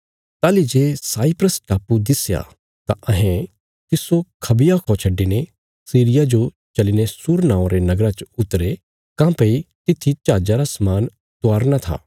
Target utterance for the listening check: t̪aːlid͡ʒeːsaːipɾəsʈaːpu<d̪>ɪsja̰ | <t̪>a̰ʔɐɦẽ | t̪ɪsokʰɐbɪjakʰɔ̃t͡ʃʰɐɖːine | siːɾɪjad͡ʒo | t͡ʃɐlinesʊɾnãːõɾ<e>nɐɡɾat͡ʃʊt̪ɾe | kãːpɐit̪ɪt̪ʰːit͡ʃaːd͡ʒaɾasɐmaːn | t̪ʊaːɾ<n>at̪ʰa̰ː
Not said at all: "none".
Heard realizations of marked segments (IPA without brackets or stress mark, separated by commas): d̪, t̪, e, n